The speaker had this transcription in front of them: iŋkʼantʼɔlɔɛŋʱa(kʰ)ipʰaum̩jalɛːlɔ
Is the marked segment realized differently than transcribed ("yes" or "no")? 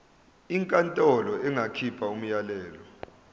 no